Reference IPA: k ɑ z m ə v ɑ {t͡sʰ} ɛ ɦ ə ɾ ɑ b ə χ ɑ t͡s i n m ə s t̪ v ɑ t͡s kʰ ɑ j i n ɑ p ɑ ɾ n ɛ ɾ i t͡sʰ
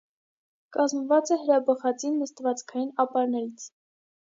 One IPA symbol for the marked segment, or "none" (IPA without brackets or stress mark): t͡s